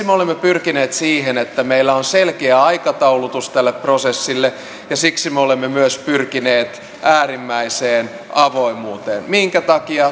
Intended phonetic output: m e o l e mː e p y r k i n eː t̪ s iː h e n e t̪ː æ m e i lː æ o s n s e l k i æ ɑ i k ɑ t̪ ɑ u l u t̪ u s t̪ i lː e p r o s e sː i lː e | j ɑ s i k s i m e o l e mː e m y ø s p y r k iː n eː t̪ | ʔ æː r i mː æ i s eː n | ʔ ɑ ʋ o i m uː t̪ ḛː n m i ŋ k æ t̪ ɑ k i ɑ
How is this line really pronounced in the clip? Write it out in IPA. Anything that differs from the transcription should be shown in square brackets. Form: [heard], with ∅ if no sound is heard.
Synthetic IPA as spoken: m e o l e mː e p y r k i n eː t̪ s iː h e n e t̪ː æ m e i lː æ o [∅] n s e l k [e] æ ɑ i k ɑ t̪ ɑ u l u t̪ u s t̪ [æ] lː e p r o s e sː i lː e | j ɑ s i k s i m e o l e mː e m y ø s p y r k [i] n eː t̪ | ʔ æː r i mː æ i s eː n | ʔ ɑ ʋ o i m uː t̪ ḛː n m i ŋ k æ t̪ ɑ k i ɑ